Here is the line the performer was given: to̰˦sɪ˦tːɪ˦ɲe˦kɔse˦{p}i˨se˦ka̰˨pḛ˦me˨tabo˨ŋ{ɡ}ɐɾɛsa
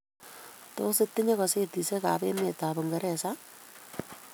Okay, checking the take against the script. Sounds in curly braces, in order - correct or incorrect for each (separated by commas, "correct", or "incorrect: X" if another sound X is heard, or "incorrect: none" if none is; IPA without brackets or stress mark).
incorrect: t, correct